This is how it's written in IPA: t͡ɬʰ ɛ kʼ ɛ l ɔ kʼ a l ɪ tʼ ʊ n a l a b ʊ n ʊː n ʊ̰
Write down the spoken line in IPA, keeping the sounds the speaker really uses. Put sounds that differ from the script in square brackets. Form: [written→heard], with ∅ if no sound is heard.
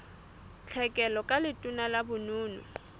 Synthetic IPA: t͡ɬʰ ɛ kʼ ɛ l ɔ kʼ a l ɪ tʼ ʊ n a l a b ʊ n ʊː n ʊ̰